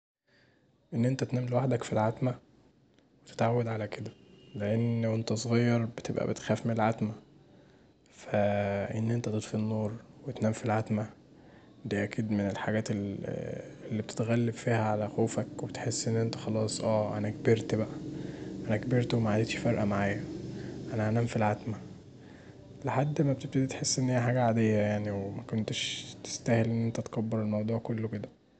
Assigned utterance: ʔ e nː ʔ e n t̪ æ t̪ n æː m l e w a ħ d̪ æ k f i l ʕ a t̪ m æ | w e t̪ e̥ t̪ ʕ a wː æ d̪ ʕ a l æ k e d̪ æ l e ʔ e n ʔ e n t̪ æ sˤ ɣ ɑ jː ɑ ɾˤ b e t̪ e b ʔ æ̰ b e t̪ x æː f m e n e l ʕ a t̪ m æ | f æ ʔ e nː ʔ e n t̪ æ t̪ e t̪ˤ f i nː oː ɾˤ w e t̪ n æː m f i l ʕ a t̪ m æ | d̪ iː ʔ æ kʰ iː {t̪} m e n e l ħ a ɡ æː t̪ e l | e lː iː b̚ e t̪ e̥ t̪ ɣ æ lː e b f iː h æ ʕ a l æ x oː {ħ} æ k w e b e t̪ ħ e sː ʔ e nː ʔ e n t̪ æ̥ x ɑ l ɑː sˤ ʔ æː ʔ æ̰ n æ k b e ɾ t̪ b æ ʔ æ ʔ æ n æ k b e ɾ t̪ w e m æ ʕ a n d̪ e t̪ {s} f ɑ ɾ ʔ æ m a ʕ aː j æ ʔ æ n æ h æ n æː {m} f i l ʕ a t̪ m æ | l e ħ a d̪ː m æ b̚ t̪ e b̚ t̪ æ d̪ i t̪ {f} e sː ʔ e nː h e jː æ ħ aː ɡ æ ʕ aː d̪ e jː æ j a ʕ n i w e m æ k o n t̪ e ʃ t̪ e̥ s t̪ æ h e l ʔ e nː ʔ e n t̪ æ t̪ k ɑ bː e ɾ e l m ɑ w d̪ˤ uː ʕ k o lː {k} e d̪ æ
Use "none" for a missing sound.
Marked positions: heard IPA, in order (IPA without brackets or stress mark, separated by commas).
d̪, f, ʃ, m, ħ, k